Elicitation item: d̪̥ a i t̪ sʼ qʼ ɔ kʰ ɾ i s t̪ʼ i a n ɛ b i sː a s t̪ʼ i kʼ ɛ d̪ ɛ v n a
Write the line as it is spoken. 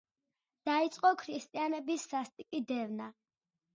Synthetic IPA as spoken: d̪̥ a i t̪ sʼ qʼ ɔ kʰ ɾ i s t̪ʼ i a n ɛ b i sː a s t̪ʼ i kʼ i d̪ ɛ v n a